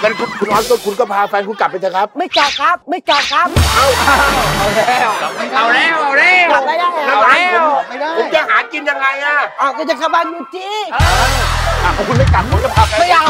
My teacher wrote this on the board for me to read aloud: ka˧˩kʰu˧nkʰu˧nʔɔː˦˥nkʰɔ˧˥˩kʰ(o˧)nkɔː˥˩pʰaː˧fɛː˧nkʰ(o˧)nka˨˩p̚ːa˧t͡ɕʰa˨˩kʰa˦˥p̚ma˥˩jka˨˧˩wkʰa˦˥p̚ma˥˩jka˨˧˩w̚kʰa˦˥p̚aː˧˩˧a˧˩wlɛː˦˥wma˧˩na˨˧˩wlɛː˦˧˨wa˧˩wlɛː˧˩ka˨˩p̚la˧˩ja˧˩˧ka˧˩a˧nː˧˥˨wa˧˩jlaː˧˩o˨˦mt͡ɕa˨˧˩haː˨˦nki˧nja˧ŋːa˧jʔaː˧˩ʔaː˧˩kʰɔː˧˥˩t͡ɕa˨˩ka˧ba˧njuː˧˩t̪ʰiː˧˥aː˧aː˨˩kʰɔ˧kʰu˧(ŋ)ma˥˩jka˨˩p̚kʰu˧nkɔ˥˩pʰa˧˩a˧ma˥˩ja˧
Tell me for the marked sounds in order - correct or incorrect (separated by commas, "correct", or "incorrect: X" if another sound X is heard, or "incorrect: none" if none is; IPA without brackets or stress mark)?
incorrect: u˧, incorrect: u˧, incorrect: n